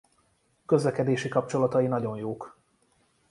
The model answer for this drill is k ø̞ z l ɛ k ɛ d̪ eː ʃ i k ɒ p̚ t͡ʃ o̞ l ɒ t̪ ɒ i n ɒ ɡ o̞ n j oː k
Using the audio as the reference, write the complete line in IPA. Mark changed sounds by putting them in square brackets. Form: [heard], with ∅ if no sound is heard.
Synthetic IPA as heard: k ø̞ z l ɛ k ɛ d̪ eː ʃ i k ɒ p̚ t͡ʃ o̞ l ɒ t̪ ɒ i n ɒ [ɟ] o̞ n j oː k